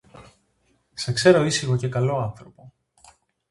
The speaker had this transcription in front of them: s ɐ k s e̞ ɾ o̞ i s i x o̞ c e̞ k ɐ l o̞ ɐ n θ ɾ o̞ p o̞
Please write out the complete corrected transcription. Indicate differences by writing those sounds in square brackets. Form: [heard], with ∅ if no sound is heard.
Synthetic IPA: s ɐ k s e̞ ɾ o̞ i s i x o̞ c e̞ k ɐ l o̞ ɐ n θ ɾ o̞ p o̞